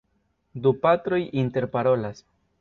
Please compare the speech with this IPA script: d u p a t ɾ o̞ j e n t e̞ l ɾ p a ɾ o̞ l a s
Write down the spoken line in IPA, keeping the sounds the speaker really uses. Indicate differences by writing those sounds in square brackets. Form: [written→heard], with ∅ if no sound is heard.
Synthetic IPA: d u p a t ɾ o̞ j [e→i] n t e̞ [l→∅] ɾ p a ɾ o̞ l a s